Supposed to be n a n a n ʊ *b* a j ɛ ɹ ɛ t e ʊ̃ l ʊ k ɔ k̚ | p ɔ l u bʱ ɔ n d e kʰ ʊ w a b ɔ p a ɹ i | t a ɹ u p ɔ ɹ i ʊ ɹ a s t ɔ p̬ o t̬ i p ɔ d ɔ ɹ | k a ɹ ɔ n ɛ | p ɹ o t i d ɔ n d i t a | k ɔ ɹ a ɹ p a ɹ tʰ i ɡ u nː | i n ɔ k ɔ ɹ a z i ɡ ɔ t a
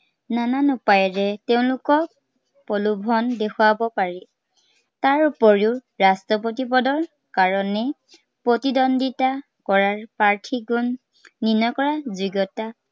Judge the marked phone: incorrect: p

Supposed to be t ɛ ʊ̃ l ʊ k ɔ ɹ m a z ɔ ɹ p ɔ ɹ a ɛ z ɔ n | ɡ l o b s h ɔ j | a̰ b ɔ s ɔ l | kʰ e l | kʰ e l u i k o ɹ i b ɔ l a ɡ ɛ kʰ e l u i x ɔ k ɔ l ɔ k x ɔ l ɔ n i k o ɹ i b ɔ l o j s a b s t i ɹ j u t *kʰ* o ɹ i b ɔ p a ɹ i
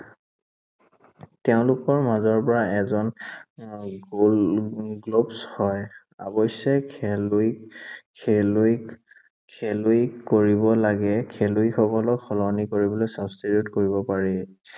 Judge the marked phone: incorrect: k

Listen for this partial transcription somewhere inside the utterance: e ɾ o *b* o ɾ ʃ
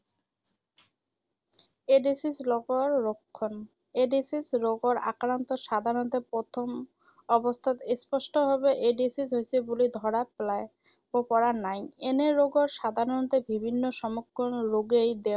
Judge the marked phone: incorrect: ɡ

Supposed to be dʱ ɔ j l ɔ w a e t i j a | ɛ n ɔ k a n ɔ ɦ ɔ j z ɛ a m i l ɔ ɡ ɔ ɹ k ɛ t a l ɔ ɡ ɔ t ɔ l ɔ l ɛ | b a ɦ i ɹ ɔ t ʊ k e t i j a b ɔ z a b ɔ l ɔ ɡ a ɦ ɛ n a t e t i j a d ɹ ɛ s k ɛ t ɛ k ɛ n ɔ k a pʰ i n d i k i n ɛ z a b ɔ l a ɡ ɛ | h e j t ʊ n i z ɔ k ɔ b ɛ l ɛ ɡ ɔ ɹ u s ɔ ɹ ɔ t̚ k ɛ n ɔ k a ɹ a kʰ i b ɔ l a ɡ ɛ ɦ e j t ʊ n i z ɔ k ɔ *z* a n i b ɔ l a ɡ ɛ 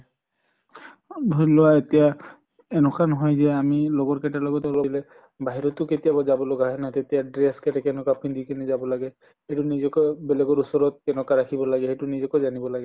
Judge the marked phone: correct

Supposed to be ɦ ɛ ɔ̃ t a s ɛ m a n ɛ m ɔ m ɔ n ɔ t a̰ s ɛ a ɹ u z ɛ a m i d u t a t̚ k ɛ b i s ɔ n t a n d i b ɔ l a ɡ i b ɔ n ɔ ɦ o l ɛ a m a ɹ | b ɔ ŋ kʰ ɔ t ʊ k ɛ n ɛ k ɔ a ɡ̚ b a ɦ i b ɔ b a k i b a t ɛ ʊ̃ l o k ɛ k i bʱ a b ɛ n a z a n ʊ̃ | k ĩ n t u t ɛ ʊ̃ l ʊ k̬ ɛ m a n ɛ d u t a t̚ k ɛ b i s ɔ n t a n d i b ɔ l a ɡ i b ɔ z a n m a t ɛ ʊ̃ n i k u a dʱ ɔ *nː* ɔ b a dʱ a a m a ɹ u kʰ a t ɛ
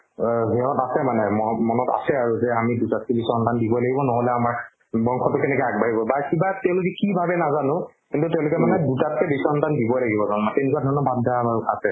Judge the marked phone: incorrect: n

